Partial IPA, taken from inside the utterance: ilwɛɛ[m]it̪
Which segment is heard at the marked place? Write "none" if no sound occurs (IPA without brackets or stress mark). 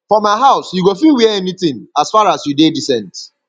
n